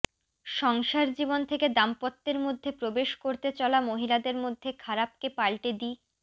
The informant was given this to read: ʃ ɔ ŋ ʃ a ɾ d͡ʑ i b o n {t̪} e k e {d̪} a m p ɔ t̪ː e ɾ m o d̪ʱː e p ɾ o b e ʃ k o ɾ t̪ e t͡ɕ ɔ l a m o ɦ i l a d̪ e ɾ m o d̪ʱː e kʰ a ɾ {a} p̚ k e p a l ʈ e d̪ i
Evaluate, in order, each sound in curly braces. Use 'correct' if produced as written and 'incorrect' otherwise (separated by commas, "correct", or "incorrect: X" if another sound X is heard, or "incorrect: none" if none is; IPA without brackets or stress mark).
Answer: incorrect: t̪ʰ, correct, correct